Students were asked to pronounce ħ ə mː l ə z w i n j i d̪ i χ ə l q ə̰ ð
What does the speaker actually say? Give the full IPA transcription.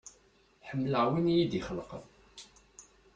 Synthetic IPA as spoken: ħ ə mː l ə ʕ w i n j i d̪ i χ ə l q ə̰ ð